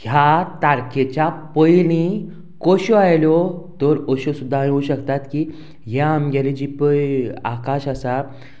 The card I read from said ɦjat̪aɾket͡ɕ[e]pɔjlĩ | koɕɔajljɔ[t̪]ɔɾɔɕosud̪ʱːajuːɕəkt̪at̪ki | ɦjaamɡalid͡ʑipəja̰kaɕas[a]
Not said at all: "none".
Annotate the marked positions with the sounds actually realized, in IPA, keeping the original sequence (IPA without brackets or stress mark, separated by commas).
a, t̪, a